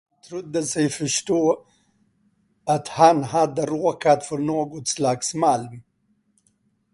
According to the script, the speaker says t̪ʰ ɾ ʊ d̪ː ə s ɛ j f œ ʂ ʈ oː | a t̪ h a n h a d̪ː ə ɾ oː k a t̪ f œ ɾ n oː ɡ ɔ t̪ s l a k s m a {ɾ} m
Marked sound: incorrect: l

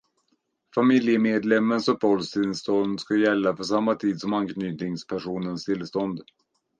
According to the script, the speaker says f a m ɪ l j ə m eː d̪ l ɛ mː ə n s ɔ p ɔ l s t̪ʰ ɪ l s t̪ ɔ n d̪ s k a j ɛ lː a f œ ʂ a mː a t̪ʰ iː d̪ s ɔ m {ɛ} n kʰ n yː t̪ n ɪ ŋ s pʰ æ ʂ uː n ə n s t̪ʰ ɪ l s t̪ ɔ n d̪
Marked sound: incorrect: a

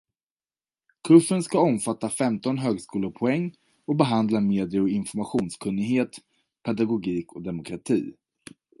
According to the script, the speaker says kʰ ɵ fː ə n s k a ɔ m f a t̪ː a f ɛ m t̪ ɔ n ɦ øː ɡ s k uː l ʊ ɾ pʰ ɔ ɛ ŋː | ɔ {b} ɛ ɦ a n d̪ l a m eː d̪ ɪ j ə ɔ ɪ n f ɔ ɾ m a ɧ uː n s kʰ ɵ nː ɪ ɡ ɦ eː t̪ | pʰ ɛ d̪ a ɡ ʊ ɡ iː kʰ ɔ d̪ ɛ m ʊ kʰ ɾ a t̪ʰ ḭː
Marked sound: correct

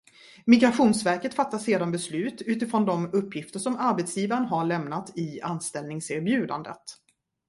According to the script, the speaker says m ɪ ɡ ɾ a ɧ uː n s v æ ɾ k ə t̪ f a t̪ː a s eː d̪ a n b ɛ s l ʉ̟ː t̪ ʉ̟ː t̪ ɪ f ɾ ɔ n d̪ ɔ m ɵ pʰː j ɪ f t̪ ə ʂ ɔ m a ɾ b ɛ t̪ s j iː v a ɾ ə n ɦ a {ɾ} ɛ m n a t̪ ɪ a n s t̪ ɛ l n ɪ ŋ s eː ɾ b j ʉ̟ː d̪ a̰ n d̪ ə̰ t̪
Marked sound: incorrect: ɭ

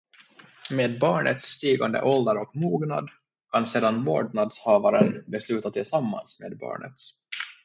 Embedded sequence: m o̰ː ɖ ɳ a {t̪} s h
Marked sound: incorrect: d̪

